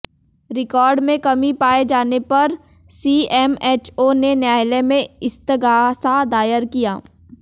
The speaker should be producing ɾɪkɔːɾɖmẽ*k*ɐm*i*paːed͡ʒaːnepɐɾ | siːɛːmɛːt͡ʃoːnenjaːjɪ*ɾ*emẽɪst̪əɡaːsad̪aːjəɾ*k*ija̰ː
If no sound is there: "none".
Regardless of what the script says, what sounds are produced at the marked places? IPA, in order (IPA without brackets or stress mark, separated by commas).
k, i, l, k